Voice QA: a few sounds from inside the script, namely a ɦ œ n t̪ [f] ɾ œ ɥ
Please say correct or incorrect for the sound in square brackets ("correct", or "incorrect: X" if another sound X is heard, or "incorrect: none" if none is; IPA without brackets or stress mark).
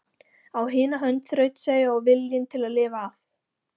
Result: incorrect: θ